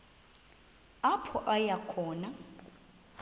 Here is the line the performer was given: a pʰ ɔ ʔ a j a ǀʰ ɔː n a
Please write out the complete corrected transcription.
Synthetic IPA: a pʰ ɔ ʔ a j a kʰ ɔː n a